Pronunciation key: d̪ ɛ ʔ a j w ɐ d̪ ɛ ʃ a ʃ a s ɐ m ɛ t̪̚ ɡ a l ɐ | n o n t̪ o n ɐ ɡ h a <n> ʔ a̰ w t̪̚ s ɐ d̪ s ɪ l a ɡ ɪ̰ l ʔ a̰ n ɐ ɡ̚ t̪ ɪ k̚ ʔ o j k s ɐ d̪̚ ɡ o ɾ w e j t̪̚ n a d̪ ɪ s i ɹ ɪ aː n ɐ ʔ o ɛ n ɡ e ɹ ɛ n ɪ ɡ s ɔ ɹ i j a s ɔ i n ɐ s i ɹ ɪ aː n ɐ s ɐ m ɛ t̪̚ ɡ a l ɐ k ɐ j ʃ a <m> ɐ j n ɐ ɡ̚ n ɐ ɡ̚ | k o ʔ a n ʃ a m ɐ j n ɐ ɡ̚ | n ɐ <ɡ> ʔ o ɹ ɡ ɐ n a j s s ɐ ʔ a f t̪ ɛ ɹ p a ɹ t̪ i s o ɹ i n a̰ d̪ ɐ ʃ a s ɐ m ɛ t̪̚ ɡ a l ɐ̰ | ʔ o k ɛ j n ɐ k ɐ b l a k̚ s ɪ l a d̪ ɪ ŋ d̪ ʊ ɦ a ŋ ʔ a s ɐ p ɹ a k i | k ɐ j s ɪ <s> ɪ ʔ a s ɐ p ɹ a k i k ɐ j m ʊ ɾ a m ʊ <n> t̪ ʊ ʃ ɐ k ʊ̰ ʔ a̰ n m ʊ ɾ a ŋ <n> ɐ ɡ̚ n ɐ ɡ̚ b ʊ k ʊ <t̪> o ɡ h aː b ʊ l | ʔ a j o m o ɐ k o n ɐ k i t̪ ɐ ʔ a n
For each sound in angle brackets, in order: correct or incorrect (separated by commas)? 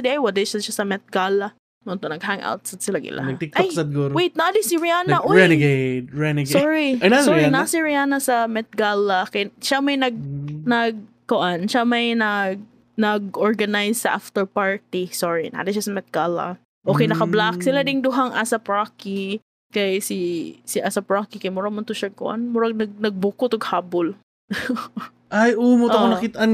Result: incorrect, correct, correct, correct, correct, correct, correct